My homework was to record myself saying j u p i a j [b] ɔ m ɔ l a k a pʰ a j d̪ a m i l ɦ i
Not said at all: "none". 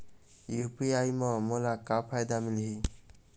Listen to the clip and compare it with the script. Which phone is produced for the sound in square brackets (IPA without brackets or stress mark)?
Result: m